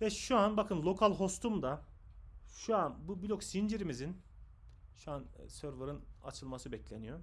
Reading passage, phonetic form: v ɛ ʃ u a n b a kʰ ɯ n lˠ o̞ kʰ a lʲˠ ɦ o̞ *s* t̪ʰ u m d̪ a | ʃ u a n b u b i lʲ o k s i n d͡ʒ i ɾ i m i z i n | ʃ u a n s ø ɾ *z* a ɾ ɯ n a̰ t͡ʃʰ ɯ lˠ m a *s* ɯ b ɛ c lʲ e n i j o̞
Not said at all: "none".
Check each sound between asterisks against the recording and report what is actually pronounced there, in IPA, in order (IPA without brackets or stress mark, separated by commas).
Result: s, v, s